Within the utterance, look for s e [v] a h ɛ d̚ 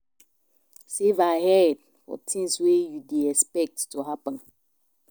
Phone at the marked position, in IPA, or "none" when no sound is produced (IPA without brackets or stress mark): v